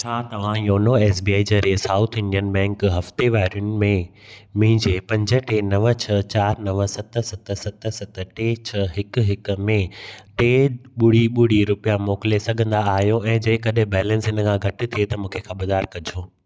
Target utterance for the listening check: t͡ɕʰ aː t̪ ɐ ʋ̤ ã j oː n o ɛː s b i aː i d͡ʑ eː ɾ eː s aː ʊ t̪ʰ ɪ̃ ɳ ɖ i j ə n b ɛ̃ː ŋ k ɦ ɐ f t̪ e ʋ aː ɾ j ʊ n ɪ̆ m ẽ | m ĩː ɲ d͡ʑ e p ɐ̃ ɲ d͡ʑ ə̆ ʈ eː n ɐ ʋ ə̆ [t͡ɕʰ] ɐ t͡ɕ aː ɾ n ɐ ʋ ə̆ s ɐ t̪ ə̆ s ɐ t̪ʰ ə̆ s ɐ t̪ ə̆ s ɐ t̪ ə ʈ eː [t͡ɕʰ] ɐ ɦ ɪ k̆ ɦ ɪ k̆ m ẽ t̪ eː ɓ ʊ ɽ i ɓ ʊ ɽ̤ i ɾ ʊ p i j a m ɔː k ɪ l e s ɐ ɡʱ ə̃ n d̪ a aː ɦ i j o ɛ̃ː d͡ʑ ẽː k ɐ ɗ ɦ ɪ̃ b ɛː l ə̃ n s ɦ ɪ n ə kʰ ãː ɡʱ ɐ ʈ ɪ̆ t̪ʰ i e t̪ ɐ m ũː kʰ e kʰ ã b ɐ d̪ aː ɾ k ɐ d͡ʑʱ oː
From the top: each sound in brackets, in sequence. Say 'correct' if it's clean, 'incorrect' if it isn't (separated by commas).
correct, correct